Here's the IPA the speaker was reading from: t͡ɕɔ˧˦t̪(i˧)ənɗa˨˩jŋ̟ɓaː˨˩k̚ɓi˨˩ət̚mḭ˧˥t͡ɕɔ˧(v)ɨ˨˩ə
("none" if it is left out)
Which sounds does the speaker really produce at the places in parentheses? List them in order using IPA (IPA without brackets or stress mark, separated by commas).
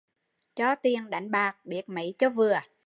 i˨˩, v